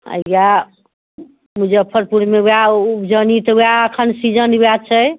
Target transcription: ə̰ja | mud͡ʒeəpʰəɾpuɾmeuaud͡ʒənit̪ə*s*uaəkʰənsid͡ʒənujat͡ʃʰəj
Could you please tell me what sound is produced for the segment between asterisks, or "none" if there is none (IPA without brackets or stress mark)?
none